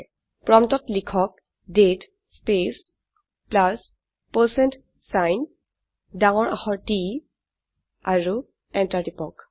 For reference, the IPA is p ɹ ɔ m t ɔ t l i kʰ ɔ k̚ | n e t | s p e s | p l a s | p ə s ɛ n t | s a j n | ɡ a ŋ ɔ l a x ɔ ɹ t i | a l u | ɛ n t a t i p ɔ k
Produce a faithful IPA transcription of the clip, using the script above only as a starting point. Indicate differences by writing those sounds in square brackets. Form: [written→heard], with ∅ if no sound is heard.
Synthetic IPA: p ɹ ɔ m t ɔ t l i kʰ ɔ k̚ | [n→d] e t | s p e s | p l a s | p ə s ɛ n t | s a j n | [ɡ→d] a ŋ ɔ [l→ɹ] a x ɔ ɹ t i | a [l→ɹ] u | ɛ n t a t i p ɔ k

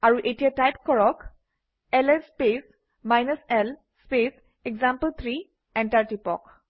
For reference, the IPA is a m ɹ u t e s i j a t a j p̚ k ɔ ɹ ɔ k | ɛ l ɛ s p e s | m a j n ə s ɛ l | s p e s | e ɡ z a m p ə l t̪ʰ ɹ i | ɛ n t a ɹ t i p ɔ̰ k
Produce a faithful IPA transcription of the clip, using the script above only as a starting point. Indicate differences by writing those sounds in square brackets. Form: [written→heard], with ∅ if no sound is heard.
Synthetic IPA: a [m→∅] ɹ u [t→ʔ] e [s→t] i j a t a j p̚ k ɔ ɹ ɔ k | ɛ l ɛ s p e s | m a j n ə s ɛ l | s p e s | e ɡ z a m p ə l t̪ʰ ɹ i | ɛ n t a ɹ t i p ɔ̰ k

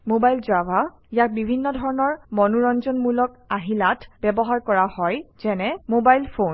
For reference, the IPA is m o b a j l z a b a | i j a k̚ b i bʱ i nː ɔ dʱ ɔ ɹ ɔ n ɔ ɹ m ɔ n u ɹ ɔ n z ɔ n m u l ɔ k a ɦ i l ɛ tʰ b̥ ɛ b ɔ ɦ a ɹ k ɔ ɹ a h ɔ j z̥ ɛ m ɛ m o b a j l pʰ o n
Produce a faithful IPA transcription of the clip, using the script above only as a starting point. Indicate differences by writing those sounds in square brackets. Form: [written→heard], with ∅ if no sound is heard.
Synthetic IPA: m o b a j l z a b a | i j a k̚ b i bʱ i nː ɔ dʱ ɔ ɹ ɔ n ɔ ɹ m ɔ n u ɹ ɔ n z ɔ n m u l ɔ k a ɦ i l [ɛ→a] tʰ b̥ ɛ b ɔ ɦ a ɹ k ɔ ɹ a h ɔ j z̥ ɛ [m→n] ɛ m o b a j l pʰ o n

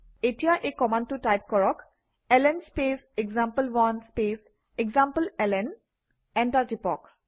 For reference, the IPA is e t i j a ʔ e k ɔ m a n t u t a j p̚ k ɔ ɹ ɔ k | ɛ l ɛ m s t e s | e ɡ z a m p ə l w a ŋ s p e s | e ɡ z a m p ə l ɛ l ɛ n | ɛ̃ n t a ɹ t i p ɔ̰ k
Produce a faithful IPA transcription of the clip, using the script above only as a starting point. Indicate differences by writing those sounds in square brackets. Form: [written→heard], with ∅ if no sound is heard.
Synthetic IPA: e t i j a ʔ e k ɔ m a n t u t a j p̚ k ɔ ɹ ɔ k | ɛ l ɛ [m→n] s [t→p] e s | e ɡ z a m p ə l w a [ŋ→n] s p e s | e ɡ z a m p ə l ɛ l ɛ n | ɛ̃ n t a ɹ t i p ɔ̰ k

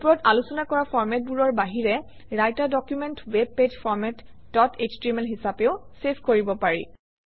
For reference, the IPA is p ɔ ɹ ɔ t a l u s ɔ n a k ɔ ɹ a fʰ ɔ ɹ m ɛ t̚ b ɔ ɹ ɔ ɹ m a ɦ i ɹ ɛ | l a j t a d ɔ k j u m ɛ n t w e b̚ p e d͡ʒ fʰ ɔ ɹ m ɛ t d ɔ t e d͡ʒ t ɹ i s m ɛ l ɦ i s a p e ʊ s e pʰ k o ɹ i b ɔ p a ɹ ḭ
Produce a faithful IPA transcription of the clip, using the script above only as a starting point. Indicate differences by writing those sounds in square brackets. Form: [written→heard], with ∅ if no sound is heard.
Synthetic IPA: p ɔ ɹ ɔ t a l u s ɔ n a k ɔ ɹ a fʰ ɔ ɹ m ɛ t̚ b [ɔ→u] ɹ ɔ ɹ [m→b] a ɦ i ɹ ɛ | [l→ɹ] a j t a d ɔ k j u m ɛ n t w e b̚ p e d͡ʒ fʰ ɔ ɹ m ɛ t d ɔ t e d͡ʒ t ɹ i [s→∅] m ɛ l ɦ i s a p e ʊ s e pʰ k o ɹ i b ɔ p a ɹ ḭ

